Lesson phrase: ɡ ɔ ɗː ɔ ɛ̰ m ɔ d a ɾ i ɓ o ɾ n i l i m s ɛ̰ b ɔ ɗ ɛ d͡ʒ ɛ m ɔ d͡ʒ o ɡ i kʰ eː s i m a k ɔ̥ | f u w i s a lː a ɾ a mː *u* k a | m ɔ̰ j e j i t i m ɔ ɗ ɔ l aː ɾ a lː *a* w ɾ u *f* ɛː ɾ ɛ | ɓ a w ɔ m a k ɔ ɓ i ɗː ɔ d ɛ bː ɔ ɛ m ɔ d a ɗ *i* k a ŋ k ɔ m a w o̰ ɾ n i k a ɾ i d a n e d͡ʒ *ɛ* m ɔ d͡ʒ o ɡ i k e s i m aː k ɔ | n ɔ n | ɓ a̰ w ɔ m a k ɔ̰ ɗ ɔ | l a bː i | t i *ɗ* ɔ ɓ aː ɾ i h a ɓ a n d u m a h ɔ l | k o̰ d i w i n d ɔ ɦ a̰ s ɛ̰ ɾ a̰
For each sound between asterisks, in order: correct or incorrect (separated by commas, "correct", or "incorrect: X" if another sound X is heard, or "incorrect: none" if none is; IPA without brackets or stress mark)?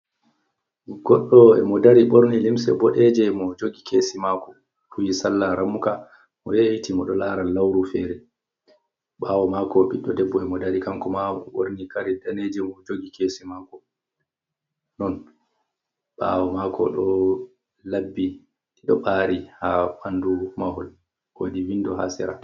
correct, correct, correct, correct, correct, correct